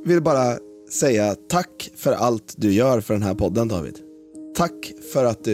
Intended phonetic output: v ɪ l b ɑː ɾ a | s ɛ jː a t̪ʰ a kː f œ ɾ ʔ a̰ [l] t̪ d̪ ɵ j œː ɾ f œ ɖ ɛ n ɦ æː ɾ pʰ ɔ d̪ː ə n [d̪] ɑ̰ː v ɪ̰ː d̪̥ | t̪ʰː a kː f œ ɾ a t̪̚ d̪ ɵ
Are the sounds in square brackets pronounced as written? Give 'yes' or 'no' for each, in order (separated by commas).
yes, yes